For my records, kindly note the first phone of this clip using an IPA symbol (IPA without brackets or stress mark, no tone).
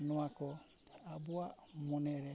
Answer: n